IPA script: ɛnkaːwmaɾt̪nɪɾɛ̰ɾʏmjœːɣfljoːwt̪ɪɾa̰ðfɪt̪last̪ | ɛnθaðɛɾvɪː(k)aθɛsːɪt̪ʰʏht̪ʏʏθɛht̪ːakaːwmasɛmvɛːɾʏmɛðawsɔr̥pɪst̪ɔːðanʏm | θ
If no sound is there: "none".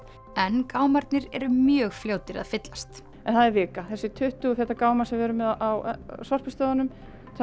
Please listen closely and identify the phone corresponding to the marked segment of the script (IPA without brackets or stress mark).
k